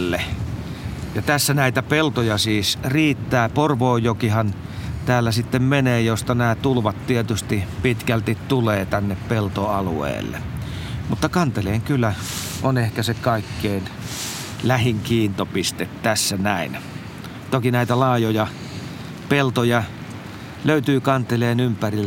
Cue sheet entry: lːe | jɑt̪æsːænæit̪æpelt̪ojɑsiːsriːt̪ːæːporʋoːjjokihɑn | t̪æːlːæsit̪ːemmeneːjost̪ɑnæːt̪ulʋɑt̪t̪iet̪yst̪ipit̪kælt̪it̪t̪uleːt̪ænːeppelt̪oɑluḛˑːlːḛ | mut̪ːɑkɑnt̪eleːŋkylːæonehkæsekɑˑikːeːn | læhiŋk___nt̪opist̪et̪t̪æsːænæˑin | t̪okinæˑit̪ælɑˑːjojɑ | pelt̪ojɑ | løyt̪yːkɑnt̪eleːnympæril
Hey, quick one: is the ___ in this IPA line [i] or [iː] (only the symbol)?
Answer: iː